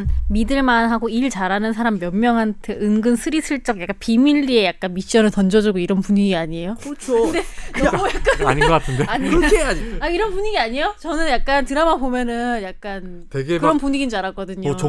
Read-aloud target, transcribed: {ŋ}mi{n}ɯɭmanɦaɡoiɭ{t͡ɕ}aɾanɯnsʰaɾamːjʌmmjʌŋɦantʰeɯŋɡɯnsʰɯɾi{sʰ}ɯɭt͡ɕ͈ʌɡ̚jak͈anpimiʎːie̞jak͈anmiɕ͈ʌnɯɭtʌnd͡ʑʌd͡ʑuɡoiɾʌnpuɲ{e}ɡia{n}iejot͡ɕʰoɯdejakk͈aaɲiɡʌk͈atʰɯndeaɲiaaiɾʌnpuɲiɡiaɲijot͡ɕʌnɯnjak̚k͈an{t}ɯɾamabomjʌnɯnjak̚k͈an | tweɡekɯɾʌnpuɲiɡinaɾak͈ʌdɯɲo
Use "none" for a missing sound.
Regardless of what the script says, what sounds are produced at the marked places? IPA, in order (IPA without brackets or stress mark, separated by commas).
n, d, t͡ɕ, sʰ, i, ɲ, t